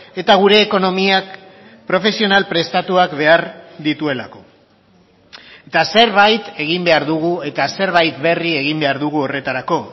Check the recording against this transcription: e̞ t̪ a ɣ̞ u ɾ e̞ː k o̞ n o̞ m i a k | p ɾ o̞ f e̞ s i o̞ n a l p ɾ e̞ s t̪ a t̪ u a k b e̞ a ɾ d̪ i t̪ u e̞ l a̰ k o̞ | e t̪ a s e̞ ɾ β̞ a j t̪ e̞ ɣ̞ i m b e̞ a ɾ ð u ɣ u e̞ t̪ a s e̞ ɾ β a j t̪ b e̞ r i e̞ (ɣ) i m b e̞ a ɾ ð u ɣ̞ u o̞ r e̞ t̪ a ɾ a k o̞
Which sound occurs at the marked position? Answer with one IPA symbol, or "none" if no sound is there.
ɣ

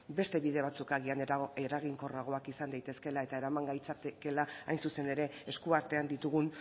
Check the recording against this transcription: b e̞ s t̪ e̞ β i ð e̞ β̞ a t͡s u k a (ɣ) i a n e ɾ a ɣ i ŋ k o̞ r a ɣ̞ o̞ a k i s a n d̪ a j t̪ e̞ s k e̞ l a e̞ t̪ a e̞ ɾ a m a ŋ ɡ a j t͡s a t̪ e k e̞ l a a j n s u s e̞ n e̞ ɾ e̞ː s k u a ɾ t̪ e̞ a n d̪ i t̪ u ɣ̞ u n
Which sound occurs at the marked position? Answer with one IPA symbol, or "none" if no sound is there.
ɣ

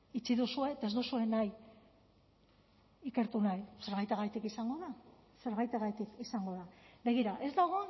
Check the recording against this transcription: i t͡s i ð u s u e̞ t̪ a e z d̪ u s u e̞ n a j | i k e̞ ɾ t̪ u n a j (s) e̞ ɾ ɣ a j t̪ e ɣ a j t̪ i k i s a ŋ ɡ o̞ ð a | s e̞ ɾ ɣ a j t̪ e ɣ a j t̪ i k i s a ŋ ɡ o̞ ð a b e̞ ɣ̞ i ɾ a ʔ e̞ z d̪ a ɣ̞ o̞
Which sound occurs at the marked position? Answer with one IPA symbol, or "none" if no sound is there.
s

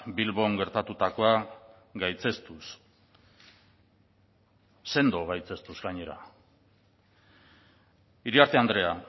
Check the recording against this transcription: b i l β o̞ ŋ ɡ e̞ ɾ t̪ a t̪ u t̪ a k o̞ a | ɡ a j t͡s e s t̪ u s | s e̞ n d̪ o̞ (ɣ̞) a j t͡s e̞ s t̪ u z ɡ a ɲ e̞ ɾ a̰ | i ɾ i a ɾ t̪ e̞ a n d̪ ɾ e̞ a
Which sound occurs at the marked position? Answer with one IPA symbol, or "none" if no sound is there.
ɣ̞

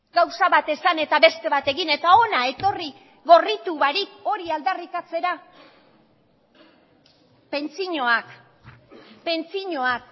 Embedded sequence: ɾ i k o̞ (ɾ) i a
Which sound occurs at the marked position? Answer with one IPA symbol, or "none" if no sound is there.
ɾ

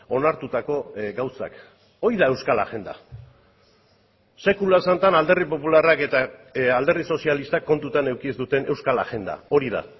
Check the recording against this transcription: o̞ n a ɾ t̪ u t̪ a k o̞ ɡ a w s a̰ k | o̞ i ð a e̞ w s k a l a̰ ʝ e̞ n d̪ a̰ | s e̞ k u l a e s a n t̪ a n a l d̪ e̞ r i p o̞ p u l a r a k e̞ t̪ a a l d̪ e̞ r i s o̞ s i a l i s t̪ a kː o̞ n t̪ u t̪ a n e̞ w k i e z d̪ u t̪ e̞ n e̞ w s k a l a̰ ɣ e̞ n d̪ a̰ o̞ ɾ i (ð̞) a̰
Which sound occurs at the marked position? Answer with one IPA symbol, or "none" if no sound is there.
ð̞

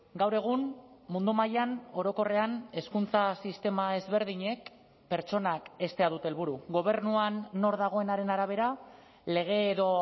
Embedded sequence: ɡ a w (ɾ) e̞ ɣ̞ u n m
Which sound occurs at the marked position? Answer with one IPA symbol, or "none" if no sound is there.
ɾ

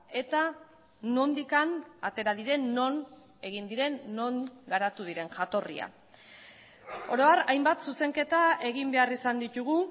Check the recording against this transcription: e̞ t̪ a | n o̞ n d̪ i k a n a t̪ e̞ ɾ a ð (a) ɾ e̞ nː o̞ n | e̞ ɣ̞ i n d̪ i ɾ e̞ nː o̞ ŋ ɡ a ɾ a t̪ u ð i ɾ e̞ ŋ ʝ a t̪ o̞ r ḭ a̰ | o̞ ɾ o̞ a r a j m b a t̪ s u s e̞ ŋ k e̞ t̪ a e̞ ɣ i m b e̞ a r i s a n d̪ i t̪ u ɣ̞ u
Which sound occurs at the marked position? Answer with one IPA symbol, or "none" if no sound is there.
i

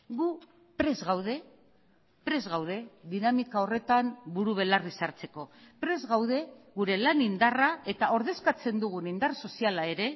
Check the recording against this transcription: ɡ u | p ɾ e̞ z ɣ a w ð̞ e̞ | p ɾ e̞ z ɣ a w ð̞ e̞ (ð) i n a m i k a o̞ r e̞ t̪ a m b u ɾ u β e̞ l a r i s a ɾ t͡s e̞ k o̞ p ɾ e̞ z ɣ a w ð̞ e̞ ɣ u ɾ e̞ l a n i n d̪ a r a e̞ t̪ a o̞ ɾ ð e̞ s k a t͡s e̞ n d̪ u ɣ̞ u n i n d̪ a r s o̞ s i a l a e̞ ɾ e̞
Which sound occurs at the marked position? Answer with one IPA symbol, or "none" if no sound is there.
ð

